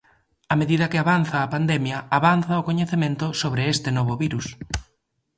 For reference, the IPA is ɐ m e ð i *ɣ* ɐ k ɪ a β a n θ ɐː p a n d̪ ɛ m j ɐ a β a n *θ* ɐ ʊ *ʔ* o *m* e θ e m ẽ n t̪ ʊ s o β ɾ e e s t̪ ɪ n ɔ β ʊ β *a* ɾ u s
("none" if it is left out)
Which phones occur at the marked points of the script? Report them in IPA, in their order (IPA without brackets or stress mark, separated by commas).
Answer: ð, θ, k, ɲ, i